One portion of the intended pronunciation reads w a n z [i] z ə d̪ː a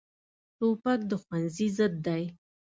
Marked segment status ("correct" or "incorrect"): correct